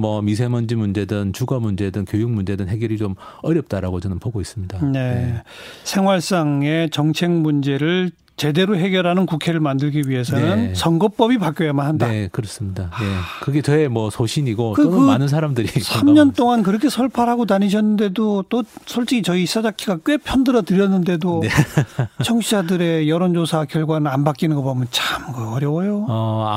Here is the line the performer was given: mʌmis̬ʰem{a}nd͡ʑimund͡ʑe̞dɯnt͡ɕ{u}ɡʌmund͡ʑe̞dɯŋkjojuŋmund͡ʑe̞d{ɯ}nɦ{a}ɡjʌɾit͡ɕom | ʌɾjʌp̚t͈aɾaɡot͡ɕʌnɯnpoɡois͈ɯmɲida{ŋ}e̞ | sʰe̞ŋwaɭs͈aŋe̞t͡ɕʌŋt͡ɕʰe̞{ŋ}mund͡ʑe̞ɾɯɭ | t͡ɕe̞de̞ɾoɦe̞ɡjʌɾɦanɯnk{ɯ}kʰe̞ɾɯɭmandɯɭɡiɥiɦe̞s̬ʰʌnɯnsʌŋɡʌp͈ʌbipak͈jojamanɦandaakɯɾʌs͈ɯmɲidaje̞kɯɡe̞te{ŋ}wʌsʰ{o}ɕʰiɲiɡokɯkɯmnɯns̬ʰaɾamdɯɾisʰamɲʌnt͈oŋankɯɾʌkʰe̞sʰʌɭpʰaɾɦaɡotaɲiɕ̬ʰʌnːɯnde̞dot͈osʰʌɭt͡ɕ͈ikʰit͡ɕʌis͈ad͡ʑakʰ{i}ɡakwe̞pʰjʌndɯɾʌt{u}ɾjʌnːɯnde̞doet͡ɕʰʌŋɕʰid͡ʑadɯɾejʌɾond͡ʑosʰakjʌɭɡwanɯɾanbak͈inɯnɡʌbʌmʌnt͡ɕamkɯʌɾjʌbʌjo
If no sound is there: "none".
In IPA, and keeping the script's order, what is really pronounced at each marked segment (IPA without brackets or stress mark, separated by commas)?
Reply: ʌ, u, ɯ, e, n, ŋ, u, m, o, i, ɯ